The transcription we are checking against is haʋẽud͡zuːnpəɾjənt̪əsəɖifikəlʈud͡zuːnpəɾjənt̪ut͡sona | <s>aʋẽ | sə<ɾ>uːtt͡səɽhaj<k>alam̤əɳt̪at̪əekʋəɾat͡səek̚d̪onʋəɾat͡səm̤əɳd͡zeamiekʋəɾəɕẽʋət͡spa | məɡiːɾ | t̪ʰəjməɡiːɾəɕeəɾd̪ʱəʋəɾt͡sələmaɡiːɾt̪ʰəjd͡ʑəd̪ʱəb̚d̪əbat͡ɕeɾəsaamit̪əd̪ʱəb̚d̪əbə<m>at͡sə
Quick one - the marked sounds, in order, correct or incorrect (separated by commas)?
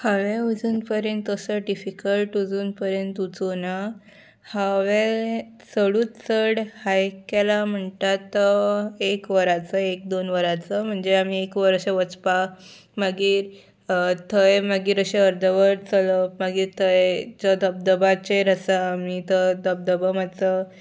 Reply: incorrect, incorrect, correct, correct